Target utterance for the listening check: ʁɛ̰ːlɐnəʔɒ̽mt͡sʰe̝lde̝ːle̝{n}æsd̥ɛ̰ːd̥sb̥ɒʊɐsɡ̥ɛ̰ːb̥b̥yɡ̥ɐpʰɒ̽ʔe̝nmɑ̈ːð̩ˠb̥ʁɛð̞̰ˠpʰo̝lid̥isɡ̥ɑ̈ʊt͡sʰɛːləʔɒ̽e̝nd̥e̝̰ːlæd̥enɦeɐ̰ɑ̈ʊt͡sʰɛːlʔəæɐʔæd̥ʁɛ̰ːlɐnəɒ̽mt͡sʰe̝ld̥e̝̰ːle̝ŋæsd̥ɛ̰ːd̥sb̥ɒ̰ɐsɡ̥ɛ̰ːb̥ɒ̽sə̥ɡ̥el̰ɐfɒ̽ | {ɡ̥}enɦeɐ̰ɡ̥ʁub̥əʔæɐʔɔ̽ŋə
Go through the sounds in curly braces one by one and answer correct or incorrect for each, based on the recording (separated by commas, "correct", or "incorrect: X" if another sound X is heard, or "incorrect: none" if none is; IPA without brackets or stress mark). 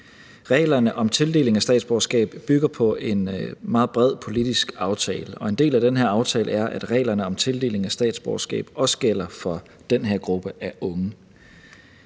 incorrect: ŋ, incorrect: d̥